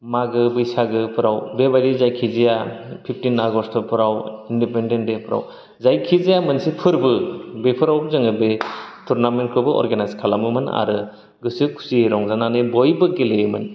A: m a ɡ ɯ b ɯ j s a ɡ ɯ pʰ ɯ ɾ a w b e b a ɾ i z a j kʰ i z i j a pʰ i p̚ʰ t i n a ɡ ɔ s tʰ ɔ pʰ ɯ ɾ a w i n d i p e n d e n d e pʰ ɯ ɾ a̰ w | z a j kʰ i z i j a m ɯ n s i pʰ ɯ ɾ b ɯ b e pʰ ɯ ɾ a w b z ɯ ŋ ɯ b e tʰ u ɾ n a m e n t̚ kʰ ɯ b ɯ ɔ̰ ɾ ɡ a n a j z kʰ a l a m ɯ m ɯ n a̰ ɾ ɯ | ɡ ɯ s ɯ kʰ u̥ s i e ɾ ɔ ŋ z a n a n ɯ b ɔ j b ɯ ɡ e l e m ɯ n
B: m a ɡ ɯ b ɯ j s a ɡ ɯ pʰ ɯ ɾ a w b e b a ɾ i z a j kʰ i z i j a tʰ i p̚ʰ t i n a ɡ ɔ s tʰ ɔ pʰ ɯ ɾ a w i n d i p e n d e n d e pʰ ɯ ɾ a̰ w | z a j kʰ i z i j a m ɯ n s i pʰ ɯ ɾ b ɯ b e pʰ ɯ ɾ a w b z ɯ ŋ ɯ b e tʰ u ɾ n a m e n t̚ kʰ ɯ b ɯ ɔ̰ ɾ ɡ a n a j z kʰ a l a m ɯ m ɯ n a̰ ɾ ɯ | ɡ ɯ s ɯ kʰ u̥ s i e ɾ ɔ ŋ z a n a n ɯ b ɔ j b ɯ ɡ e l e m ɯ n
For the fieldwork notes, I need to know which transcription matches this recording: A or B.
A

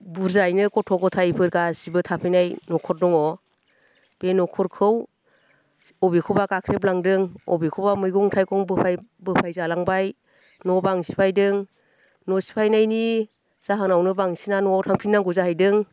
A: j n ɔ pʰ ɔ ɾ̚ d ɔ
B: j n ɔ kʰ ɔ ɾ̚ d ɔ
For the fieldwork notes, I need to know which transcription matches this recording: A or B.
B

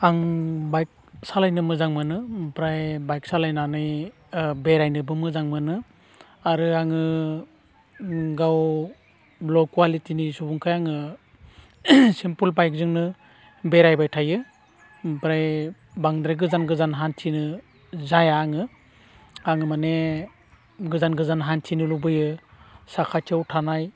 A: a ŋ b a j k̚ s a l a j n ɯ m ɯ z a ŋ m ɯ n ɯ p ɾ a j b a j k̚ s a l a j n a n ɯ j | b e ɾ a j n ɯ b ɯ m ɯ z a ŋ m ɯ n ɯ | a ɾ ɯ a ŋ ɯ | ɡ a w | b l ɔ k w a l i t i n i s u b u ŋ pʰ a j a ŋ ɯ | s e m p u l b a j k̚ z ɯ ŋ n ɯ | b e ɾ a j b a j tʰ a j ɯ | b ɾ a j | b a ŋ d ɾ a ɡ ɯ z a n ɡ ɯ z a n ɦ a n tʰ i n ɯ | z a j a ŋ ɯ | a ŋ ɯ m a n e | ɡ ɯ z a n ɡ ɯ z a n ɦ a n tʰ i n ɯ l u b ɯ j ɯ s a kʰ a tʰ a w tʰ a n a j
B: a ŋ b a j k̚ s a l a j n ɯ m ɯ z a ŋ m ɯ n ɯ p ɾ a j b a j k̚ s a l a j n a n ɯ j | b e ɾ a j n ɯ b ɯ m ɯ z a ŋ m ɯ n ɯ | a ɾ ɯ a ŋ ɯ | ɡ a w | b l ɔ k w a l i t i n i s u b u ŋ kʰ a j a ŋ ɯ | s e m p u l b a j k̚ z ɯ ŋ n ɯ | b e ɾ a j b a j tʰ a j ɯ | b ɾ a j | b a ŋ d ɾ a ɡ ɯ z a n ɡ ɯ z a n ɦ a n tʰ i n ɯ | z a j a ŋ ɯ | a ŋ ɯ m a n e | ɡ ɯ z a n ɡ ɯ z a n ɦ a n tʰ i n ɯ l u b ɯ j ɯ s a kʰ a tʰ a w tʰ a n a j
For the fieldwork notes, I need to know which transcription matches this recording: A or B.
B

